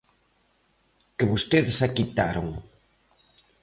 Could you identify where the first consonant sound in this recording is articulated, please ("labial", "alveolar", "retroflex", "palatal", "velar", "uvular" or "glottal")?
velar